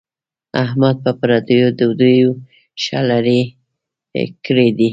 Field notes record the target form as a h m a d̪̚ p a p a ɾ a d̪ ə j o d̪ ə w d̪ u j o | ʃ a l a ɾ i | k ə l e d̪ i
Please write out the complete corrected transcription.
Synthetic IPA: a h m a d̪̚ p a p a ɾ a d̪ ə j o d̪ ə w d̪ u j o | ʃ a l a ɾ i | k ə ɽ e d̪ i

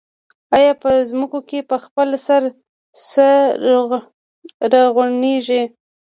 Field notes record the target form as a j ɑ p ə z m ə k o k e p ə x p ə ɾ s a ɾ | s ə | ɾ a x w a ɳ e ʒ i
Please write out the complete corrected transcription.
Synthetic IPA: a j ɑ p ə z m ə k o k e p ə x p ə l s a ɾ | s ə | ɾ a ɣ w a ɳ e ʒ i

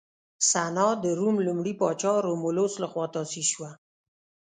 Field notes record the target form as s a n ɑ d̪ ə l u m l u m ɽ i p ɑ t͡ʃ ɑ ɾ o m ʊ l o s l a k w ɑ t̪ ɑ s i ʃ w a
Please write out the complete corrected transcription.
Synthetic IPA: s a n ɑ d̪ ə ɾ u m l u m ɽ i p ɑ t͡ʃ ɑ ɾ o m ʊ l o s l a x w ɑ t̪ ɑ s i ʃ w a

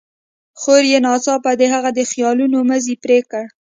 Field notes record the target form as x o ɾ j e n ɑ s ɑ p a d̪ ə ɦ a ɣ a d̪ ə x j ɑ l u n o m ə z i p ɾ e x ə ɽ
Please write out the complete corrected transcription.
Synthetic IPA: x o ɾ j e n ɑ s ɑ p a d̪ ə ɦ a ɣ a d̪ ə x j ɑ l u n o m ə z i p ɾ e k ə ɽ

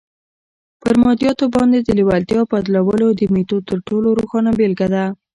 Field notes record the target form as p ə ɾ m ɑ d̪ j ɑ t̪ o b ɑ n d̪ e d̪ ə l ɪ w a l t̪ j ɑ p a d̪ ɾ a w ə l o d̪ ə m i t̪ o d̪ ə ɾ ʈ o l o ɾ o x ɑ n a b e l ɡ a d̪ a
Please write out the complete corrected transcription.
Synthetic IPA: p ə ɾ m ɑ d̪ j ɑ t̪ o b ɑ n d̪ e d̪ ə l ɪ w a l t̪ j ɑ p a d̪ l a w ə l o d̪ ə m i t̪ o t̪ ə ɾ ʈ o l o ɾ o x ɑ n a b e l ɡ a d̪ a

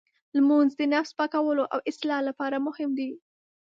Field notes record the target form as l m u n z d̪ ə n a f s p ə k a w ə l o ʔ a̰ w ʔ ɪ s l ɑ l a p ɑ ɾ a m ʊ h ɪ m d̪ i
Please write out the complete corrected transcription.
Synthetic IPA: l m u n z d̪ ə n a f s p ɑ k a w ə l o ʔ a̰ w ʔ ɪ s l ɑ l a p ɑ ɾ a m ʊ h ɪ m d̪ i

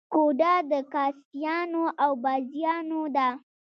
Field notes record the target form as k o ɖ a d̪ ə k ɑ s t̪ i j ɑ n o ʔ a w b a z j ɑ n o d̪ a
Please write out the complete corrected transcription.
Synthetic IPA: k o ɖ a d̪ ə k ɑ s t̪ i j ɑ n o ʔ a w b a z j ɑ n o d̪ a

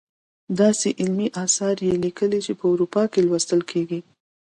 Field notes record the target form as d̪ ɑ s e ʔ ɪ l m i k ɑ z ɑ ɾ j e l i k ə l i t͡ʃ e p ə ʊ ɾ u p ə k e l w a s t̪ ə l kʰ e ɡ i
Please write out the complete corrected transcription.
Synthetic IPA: d̪ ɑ s e ʔ ɪ l m i ʔ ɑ s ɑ ɾ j e l i k ə l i t͡ʃ e p ə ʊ ɾ u p ɑ k e l w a s t̪ ə l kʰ e ɡ i

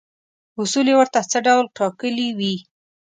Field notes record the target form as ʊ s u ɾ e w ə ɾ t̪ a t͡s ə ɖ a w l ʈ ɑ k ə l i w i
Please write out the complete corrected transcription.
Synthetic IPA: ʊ s u l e w ə ɾ t̪ a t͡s ə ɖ a w l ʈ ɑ k ə l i w i

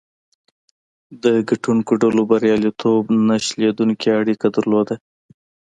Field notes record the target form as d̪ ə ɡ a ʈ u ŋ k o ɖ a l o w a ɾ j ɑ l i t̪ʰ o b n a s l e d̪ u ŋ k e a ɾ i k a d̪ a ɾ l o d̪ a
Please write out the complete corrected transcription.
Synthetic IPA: d̪ ə ɡ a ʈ u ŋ k o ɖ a l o b a ɾ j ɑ l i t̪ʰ o b n a ʃ l e d̪ u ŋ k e a ɽ i k a d̪ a ɾ l o d̪ a

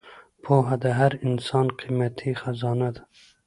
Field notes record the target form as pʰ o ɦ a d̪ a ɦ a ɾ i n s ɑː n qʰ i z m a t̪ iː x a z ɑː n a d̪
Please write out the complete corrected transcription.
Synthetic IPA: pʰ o ɦ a d̪ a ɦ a ɾ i n s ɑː n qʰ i m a t̪ʰ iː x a z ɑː n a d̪

